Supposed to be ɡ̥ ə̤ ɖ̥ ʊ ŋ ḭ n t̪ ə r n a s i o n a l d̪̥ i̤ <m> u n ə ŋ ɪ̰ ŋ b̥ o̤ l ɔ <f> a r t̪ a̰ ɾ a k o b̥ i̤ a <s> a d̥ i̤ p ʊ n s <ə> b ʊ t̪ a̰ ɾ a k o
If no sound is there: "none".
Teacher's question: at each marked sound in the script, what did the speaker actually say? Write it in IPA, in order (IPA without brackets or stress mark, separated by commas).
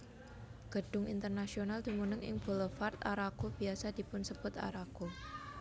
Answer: m, f, s, ə